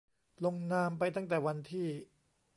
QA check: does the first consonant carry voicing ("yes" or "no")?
yes